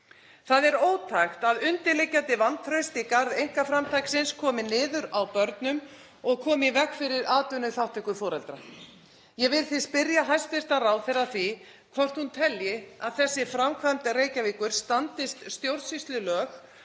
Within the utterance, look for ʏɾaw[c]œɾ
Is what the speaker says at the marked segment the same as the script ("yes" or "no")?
no